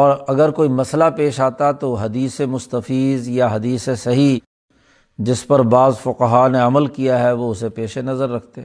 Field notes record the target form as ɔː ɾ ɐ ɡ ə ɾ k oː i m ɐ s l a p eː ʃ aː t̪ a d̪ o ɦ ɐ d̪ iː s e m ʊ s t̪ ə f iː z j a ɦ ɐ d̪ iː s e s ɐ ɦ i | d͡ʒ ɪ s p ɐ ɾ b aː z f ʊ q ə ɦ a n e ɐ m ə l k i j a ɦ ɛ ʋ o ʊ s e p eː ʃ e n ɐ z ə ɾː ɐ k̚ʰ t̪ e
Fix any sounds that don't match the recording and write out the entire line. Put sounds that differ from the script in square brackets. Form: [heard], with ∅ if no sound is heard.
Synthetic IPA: ɔː ɾ ɐ ɡ ə ɾ k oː i m ɐ s l a p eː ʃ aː t̪ a [t̪] o ɦ ɐ d̪ iː s e m ʊ s t̪ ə f iː z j a ɦ ɐ d̪ iː s e s ɐ ɦ i | d͡ʒ ɪ s p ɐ ɾ b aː z f ʊ q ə ɦ a n e ɐ m ə l k i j a ɦ ɛ ʋ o ʊ s e p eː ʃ e n ɐ z ə ɾː ɐ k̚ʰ t̪ e